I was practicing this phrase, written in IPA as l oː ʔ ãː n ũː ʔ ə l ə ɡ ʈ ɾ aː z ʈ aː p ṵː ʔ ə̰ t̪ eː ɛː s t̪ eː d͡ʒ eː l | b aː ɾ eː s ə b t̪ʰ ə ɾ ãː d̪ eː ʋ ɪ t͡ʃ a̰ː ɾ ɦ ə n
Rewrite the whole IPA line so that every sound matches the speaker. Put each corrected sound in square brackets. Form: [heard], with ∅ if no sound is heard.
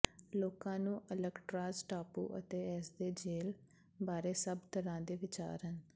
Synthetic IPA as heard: l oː [k] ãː n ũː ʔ ə l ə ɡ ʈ ɾ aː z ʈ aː p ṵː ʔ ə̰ t̪ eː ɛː s [d̪] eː d͡ʒ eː l | b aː ɾ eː s ə b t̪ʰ ə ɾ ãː d̪ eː ʋ ɪ t͡ʃ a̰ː ɾ ɦ ə n